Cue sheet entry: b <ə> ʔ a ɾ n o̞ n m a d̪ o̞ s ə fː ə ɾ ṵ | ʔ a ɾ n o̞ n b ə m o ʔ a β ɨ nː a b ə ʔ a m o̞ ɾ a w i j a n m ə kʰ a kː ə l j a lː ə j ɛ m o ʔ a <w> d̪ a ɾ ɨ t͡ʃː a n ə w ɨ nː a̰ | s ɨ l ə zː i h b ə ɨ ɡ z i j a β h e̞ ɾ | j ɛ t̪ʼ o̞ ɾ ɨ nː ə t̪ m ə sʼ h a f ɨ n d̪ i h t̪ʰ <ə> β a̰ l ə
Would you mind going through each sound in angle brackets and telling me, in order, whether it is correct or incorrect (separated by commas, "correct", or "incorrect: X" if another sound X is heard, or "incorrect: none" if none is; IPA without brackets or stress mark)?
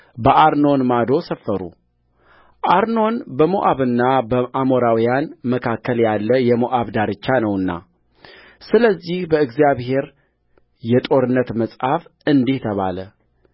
correct, incorrect: β, correct